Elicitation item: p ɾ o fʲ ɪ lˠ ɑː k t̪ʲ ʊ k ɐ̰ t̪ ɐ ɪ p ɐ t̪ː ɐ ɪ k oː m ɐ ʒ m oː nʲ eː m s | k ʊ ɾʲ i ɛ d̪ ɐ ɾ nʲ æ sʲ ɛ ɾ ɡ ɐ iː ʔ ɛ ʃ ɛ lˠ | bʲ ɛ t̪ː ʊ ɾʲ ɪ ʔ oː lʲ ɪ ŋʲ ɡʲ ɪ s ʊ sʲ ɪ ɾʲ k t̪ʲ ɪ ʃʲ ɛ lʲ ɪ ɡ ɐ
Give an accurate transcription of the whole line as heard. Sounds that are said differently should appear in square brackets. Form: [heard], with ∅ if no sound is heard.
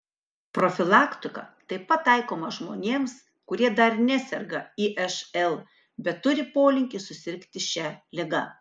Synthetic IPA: p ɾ o fʲ ɪ lˠ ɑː k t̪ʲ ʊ k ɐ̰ t̪ ɐ ɪ p ɐ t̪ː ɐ ɪ k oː m ɐ ʒ m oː nʲ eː m s | k ʊ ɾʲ i ɛ d̪ ɐ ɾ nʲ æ sʲ ɛ ɾ ɡ ɐ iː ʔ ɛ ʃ ɛ lˠ | bʲ ɛ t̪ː ʊ ɾʲ ɪ [p] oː lʲ ɪ ŋʲ [kʲ] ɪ s ʊ sʲ ɪ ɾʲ k t̪ʲ ɪ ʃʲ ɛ lʲ ɪ ɡ ɐ